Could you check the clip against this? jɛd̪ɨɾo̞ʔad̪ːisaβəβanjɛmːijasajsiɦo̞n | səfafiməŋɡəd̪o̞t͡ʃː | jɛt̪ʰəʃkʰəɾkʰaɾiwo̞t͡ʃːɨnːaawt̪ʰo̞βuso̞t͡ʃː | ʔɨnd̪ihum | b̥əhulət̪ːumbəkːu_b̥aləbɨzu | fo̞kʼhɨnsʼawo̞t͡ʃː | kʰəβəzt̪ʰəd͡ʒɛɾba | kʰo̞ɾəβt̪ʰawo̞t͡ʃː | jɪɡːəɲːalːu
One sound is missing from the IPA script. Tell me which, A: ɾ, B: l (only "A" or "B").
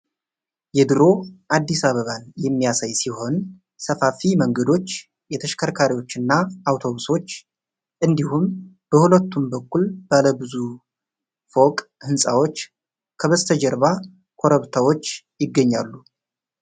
B